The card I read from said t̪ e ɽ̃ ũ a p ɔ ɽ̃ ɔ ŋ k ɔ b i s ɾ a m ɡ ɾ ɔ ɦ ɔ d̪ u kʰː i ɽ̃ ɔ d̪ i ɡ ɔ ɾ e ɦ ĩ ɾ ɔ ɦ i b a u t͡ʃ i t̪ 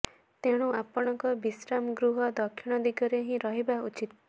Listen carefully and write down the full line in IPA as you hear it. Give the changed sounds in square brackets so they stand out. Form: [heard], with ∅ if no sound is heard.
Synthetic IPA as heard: t̪ e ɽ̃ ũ a p ɔ ɽ̃ ɔ ŋ k ɔ b i s ɾ a m ɡ ɾ [u] ɦ ɔ d̪ [ɔ] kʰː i ɽ̃ ɔ d̪ i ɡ ɔ ɾ e ɦ ĩ ɾ ɔ ɦ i b a u t͡ʃ i t̪